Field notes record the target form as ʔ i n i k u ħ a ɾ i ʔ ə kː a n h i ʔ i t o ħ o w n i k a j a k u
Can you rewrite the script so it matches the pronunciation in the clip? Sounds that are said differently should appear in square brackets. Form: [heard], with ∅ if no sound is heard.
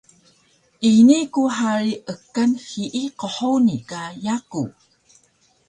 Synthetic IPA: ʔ i n i k u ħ a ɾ i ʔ ə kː a n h i ʔ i [q] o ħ o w n i k a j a k u